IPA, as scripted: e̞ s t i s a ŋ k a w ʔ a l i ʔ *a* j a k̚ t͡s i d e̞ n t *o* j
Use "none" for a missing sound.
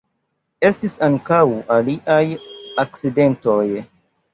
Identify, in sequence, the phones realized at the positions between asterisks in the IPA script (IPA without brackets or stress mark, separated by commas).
a, o